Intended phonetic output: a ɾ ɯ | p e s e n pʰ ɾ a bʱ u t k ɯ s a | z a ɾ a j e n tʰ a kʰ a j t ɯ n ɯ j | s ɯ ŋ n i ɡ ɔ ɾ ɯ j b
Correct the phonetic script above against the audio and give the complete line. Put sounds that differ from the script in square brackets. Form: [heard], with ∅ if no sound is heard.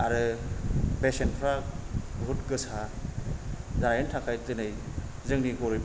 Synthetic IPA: a ɾ ɯ | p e s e n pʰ ɾ a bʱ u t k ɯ s a | z a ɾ a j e n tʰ a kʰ a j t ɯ n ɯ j | [z] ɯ ŋ n i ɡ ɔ ɾ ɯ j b